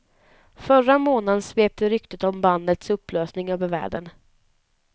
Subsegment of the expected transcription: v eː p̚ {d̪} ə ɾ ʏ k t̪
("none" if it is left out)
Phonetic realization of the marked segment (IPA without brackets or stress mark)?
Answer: t̪